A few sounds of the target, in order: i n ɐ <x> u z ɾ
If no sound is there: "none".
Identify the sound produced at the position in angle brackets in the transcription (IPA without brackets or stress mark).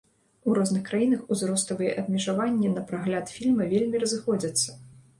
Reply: x